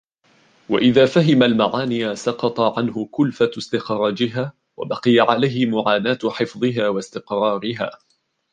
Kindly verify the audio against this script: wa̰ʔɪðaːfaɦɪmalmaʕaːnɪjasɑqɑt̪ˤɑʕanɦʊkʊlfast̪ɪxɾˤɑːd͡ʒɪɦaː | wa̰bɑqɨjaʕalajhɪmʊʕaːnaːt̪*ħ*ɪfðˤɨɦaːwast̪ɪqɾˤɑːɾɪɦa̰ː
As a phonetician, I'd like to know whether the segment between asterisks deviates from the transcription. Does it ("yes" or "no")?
no